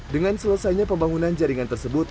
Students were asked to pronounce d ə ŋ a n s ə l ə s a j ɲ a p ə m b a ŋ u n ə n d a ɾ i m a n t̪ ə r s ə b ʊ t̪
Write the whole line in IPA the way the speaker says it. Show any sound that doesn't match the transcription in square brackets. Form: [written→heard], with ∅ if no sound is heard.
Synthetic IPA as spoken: d ə ŋ a n s ə l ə s a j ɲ a p ə m b a ŋ u n [ə→a] n [d→d͡ʒ] a ɾ i [m→ŋ] a n t̪ ə r s ə b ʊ t̪

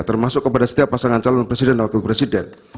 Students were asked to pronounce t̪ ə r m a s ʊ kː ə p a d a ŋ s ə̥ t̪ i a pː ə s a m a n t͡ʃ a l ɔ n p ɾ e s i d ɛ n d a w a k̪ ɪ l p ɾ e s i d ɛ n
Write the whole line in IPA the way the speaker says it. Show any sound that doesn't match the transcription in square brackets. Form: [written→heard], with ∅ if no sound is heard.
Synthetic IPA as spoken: t̪ ə r m a s ʊ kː ə p a d a [ŋ→∅] s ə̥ t̪ i a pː [ə→a] s a [m→ŋ] a n t͡ʃ a l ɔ n p ɾ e s i d ɛ n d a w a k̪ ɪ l p ɾ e s i d ɛ n

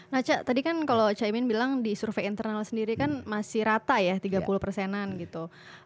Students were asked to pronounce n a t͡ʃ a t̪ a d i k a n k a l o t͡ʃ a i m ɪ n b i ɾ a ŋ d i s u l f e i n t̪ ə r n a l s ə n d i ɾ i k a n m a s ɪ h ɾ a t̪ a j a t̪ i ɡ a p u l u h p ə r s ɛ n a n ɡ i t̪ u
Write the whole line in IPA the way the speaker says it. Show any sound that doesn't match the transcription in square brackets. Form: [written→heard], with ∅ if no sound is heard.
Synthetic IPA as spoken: n a t͡ʃ a t̪ a d i k a n k a l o t͡ʃ a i m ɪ n b i [ɾ→l] a ŋ d i s u [l→r] f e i n t̪ ə r n a l s ə n d i ɾ i k a n m a s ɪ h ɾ a t̪ a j a t̪ i ɡ a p u l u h p ə r s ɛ n a n ɡ i t̪ u

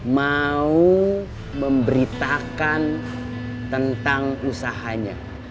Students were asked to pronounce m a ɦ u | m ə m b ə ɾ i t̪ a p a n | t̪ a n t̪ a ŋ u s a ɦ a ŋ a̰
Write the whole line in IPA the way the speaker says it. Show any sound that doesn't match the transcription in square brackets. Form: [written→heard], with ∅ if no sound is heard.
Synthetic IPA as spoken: m a [ɦ→∅] u | m ə m b ə ɾ i t̪ a [p→k] a n | t̪ [a→ə] n t̪ a ŋ u s a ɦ a [ŋ→ɲ] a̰

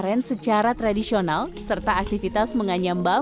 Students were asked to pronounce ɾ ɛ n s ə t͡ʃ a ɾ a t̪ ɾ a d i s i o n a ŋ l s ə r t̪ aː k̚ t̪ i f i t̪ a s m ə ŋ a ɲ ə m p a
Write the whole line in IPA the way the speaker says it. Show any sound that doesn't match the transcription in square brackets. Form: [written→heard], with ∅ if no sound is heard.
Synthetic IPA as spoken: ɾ ɛ n s ə t͡ʃ a ɾ a t̪ ɾ a d i s i o n a [ŋ→∅] l s ə r t̪ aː k̚ t̪ i f i t̪ a s m ə ŋ a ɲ [ə→a] m [p→b] a

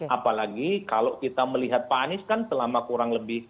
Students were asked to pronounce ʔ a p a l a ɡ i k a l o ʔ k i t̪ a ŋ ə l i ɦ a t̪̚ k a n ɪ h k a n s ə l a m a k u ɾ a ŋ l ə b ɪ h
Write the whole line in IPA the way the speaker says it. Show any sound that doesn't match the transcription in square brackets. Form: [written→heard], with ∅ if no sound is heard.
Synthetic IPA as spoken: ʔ a p a l a ɡ i k a l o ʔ k i t̪ a [ŋ→m] ə l i ɦ a t̪̚ [k→p] a n ɪ [h→s] k a n s ə l a m a k u ɾ a ŋ l ə b ɪ h

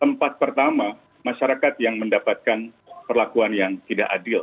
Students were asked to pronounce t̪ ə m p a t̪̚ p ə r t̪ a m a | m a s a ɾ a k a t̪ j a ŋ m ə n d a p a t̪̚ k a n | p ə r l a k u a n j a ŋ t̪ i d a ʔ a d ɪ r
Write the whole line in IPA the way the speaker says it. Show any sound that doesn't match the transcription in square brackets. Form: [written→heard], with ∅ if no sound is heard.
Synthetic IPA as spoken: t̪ ə m p a t̪̚ p ə r t̪ a m a | m a [s→ʃ] a ɾ a k a t̪ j a ŋ m ə n d a p a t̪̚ k a n | p ə r l a k u a n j a ŋ t̪ i d a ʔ a d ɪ [r→l]

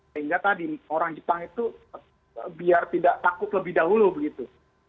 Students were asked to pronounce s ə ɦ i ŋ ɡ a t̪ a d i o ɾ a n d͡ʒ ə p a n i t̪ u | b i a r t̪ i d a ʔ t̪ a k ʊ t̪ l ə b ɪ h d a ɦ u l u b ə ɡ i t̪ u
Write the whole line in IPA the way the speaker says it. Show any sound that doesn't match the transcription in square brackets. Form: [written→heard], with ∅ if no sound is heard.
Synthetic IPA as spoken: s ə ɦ i ŋ ɡ a t̪ a d i o ɾ a [n→ŋ] d͡ʒ ə p a [n→ŋ] i t̪ u | b i a r t̪ i d a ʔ t̪ a k ʊ t̪ l ə b ɪ h d a ɦ u l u b ə ɡ i t̪ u

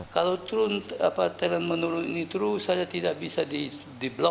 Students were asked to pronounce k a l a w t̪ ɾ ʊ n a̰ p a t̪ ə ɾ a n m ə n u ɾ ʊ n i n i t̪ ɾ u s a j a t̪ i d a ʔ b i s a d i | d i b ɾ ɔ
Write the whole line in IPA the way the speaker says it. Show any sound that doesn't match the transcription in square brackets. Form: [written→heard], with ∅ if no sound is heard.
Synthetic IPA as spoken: k a l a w t̪ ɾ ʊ n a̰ p a t̪ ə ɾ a n m ə n u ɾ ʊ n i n i t̪ ɾ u s a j a t̪ i d a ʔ b i s a d i | d i b [ɾ→l] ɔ

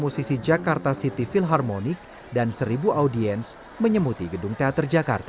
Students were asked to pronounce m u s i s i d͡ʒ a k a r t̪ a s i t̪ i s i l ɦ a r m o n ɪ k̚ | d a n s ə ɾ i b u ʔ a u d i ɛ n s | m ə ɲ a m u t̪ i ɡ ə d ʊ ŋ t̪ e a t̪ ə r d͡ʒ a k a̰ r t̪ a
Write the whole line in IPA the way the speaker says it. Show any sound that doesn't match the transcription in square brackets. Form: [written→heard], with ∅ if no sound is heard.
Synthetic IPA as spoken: m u s i s i d͡ʒ a k a r t̪ a s i t̪ i [s→f] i l ɦ a r m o n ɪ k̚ | d a n s ə ɾ i b u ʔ a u d i ɛ n s | m ə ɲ [a→ə] m u t̪ i ɡ ə d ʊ ŋ t̪ e a t̪ ə r d͡ʒ a k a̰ r t̪ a

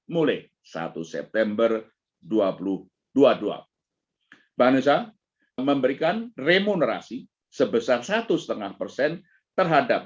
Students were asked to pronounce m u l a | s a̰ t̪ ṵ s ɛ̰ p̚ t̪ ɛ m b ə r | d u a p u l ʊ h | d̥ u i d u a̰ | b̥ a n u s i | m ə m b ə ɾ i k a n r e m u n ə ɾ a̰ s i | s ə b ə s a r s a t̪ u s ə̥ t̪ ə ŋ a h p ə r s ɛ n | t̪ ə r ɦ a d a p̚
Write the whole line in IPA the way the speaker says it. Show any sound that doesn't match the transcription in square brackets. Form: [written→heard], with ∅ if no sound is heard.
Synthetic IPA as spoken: m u l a | s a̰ t̪ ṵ s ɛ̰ p̚ t̪ ɛ m b ə r | d u a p u l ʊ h | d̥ u [i→a] d u a̰ | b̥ a n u s [i→a] | m ə m b ə ɾ i k a n r e m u n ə ɾ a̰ s i | s ə b ə s a r s a t̪ u s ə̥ t̪ ə ŋ a h p ə r s ɛ n | t̪ ə r ɦ a d a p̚

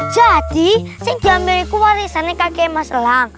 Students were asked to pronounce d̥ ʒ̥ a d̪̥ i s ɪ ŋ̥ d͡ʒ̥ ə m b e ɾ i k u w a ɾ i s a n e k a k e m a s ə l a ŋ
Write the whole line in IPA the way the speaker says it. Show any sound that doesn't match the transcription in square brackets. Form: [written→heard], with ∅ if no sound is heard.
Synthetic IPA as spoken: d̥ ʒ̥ a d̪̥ i s ɪ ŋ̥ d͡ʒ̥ [ə→a] m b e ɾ i k u w a ɾ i s a n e k a k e m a s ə l a ŋ

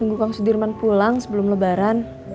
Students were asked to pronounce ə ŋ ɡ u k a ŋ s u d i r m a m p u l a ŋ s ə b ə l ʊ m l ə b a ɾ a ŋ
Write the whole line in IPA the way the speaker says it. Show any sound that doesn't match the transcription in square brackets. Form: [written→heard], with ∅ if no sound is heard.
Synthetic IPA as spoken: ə ŋ ɡ u k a ŋ s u d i r m a [m→n] p u l a ŋ s ə b ə l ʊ m l ə b a ɾ a [ŋ→n]

